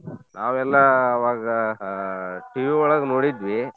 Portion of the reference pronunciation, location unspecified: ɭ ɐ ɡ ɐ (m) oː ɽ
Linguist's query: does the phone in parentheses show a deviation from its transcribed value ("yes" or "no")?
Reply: yes